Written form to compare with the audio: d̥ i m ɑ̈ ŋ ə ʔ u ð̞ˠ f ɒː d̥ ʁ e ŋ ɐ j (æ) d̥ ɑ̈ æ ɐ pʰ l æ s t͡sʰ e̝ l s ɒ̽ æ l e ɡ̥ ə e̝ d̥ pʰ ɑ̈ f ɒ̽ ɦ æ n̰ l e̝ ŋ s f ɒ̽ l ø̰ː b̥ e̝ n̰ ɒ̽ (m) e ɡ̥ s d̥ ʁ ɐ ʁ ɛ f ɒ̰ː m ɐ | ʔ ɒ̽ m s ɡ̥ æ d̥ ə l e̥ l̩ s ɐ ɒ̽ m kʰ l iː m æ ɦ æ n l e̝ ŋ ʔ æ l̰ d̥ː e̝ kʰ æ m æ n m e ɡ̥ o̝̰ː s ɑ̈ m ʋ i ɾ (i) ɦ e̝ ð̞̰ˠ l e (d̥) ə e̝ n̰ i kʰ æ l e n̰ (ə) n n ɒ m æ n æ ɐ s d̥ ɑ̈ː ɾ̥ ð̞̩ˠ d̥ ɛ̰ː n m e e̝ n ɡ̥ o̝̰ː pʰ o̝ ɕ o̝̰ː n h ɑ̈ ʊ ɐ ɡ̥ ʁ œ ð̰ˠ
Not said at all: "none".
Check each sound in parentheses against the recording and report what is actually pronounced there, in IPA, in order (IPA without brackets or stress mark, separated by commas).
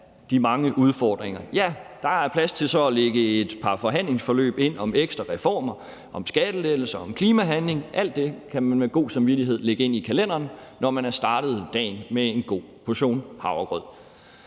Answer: æ, m, i, ɡ̥, ɐ